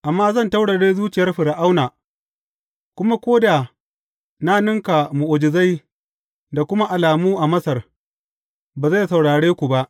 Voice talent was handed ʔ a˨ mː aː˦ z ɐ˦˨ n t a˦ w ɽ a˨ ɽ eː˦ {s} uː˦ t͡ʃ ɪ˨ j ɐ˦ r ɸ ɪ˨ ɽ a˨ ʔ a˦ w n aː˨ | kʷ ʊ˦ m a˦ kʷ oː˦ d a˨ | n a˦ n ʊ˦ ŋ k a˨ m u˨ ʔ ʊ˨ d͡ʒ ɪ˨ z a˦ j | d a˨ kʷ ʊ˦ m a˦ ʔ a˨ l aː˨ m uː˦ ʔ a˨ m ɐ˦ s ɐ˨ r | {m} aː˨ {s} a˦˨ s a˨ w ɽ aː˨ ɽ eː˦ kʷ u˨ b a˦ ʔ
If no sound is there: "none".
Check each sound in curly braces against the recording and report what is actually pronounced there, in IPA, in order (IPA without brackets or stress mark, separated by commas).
z, b, z